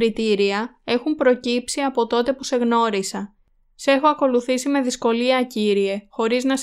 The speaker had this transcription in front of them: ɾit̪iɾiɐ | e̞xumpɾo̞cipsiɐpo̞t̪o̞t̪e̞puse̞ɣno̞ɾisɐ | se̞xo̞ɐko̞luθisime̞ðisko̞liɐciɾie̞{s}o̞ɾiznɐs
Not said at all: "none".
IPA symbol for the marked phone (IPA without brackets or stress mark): x